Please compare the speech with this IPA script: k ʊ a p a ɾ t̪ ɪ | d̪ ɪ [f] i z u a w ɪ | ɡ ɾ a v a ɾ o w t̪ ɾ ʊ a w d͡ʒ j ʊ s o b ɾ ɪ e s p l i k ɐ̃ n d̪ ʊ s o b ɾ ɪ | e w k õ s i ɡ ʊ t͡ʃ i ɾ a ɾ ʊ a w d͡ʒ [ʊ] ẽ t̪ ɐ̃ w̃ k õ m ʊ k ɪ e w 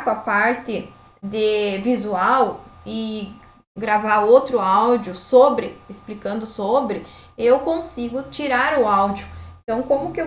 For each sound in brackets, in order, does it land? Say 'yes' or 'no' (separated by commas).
no, yes